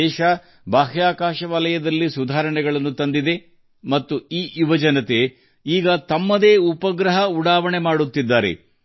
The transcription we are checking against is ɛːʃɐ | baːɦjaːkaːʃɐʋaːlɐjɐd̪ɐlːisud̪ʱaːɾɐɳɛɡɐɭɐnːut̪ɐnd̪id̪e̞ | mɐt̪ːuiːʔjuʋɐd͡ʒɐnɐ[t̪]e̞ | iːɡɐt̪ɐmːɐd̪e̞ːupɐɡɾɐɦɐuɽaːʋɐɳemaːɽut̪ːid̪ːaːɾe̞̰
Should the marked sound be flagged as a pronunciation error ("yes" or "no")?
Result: no